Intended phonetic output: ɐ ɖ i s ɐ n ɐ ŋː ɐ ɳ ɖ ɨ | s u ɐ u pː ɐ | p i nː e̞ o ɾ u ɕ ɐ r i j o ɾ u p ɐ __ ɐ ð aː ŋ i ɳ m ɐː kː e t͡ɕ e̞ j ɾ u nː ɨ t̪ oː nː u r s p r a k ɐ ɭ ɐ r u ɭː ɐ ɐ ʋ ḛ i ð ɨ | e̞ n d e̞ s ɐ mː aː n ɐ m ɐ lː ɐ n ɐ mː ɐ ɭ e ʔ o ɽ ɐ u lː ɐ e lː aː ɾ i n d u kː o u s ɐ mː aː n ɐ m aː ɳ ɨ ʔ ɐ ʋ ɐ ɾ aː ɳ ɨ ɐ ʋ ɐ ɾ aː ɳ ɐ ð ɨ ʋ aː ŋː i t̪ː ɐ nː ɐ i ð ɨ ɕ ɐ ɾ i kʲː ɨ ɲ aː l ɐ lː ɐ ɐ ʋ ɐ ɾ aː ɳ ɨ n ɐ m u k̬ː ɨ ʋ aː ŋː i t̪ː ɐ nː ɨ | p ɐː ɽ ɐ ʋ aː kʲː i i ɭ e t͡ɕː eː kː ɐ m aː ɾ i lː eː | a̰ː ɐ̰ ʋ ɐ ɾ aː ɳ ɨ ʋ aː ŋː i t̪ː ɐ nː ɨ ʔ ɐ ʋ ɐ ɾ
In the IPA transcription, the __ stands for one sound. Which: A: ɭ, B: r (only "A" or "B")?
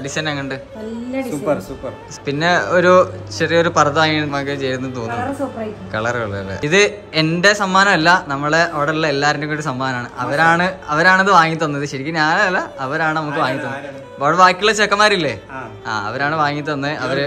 B